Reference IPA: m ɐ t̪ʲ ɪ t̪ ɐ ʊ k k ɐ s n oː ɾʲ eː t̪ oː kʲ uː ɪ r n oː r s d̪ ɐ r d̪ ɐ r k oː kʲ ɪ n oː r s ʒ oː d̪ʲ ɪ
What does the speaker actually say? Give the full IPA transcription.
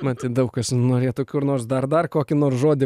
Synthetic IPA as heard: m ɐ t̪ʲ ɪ d̪ ɐ ʊ k k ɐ s n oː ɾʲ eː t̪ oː kʲ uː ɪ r n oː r s d̪ ɐ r d̪ ɐ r k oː kʲ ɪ n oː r s ʒ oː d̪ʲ ɪ